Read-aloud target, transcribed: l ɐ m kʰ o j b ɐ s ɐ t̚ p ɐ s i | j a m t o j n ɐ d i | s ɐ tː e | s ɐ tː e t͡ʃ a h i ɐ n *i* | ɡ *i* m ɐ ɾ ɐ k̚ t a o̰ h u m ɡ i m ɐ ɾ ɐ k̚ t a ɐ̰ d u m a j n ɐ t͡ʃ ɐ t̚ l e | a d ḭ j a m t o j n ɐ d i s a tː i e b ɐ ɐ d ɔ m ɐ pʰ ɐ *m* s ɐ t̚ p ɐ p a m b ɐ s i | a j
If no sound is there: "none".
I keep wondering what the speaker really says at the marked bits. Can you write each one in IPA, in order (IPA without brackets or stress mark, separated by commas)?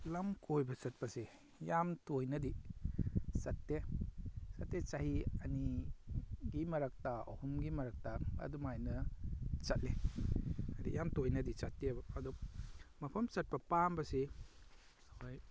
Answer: i, i, m